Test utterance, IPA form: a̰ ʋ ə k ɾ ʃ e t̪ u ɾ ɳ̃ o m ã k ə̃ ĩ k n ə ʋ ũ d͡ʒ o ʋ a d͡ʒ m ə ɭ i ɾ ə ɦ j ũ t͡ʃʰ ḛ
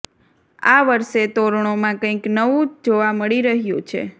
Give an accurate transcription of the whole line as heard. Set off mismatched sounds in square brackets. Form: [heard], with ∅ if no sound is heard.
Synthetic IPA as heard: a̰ ʋ ə [∅] ɾ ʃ e t̪ [o] ɾ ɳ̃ o m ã k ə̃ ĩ k n ə ʋ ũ d͡ʒ o ʋ a [∅] m ə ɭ i ɾ ə ɦ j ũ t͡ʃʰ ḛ